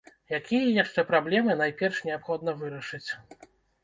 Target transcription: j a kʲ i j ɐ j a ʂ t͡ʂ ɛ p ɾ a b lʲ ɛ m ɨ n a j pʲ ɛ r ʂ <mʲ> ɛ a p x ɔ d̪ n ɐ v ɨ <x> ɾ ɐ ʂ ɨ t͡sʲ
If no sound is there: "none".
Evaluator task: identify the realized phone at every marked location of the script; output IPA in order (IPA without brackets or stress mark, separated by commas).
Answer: nʲ, none